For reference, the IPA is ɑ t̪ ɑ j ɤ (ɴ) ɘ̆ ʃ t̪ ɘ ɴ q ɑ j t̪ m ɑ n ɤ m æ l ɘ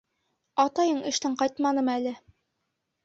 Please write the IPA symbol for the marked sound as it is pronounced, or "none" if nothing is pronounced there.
ɴ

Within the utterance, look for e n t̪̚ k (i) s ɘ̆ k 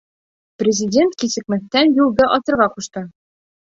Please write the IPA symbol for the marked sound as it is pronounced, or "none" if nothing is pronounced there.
i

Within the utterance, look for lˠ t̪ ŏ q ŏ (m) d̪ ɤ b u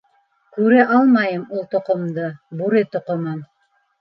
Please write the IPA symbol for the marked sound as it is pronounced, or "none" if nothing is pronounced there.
m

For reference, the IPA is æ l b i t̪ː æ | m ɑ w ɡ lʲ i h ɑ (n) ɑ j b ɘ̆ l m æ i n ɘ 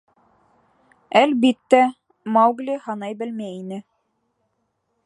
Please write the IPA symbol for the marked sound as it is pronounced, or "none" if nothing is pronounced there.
n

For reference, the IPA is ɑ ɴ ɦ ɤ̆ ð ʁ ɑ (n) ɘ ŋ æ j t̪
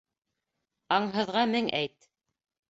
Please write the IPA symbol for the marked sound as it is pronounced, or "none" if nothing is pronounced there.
m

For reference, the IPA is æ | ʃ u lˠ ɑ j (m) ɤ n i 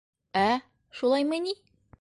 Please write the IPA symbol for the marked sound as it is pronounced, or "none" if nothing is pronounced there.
m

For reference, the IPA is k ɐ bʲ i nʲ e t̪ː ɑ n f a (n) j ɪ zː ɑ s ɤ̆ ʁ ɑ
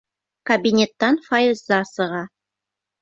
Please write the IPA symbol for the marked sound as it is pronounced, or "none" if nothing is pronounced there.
none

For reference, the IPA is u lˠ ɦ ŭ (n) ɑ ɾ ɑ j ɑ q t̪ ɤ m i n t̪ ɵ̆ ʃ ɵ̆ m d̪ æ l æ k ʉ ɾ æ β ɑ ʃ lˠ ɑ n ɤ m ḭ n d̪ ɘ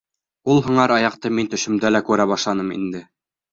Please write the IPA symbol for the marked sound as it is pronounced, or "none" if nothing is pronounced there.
ɴ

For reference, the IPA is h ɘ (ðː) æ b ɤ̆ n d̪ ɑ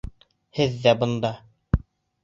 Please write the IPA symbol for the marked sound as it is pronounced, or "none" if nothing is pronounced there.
ðː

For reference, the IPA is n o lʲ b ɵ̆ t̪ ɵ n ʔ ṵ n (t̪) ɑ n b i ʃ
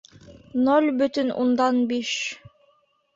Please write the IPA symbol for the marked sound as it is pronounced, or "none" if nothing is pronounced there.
d̪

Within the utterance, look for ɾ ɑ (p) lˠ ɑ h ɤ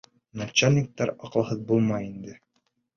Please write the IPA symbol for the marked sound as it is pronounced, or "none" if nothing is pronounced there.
q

